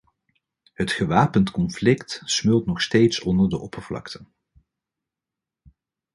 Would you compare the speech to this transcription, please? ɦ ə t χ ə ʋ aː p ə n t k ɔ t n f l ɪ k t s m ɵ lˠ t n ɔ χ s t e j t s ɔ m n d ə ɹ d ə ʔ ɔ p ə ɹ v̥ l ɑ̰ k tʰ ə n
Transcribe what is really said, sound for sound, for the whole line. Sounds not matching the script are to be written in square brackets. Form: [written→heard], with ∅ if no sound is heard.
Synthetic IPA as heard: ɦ ə t χ ə ʋ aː p ə n t k ɔ [t→∅] n f l ɪ k t s m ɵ lˠ t n ɔ χ s t e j t s ɔ [m→∅] n d ə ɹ d ə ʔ ɔ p ə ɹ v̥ l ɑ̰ k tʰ ə n